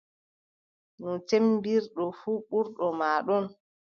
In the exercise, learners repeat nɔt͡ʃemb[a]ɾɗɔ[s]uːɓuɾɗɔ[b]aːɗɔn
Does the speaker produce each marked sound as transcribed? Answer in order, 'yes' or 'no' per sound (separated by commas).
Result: no, no, no